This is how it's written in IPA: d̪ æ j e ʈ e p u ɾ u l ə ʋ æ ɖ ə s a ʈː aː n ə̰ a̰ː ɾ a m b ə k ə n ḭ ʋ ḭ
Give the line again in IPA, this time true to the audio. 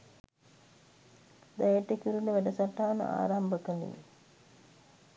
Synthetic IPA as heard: d̪ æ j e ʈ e k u ɾ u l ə ʋ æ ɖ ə s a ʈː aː n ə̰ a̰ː ɾ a m b ə k ə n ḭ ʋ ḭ